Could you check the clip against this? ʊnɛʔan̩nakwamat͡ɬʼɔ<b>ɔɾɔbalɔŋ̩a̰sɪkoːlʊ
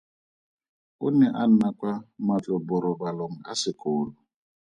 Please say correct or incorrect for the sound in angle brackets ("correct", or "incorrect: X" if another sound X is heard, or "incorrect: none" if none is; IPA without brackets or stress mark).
correct